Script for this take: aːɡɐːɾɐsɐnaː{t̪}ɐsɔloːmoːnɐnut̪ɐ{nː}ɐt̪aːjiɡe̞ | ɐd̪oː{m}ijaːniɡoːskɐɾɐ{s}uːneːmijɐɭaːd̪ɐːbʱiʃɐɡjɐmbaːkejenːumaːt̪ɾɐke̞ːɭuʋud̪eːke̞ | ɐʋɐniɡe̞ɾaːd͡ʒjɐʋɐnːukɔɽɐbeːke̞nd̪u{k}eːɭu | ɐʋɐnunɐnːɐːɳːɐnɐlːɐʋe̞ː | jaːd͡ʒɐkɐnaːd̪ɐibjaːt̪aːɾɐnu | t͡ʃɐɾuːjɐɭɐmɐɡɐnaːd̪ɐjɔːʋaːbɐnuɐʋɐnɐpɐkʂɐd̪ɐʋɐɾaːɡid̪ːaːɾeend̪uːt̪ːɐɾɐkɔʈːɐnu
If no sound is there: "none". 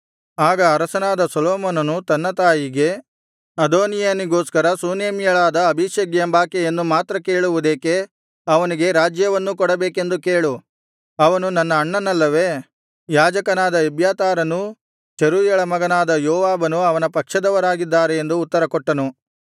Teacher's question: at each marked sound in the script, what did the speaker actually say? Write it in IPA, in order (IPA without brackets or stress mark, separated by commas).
d̪, nː, n, s, k